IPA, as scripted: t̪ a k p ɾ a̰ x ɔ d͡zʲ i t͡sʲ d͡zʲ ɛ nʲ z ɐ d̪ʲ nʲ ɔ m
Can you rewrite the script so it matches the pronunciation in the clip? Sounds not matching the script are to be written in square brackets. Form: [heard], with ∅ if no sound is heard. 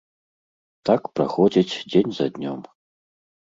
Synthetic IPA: t̪ a k p ɾ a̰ x ɔ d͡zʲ i t͡sʲ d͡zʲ [e] nʲ z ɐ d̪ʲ nʲ ɔ m